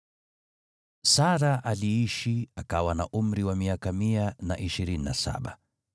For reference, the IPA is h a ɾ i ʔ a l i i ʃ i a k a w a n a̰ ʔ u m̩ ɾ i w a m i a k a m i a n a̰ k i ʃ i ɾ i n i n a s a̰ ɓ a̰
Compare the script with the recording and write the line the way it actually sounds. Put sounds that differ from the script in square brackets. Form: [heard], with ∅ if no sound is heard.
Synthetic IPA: [s] a ɾ [a] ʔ a l i i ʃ i a k a w a n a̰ ʔ u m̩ ɾ i w a m i a k a m i a n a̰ [ʔ] i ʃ i ɾ i n i n a s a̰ ɓ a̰